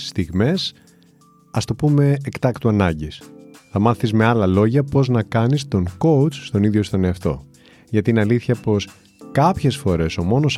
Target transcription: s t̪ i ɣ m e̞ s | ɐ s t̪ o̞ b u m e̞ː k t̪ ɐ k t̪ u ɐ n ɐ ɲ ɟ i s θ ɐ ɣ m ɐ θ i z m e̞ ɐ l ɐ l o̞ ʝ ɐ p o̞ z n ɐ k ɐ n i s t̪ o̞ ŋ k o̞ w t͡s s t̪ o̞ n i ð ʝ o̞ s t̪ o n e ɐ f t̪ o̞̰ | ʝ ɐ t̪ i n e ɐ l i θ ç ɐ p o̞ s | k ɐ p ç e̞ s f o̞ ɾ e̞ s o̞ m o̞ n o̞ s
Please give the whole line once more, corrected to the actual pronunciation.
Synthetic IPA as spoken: s t̪ i ɣ m e̞ s | ɐ s t̪ o̞ p u m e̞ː k t̪ ɐ k t̪ u ɐ n ɐ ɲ ɟ i s θ ɐ m ɐ θ i z m e̞ ɐ l ɐ l o̞ ʝ ɐ p o̞ z n ɐ k ɐ n i s t̪ o̞ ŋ k o̞ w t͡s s t̪ o̞ n i ð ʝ o̞ s t̪ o n e ɐ f t̪ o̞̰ | ʝ ɐ t̪ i n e ɐ l i θ ç ɐ p o̞ s | k ɐ p ç e̞ s f o̞ ɾ e̞ s o̞ m o̞ n o̞ s